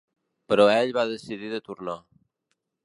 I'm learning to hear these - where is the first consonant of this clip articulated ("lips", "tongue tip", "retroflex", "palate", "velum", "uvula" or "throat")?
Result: lips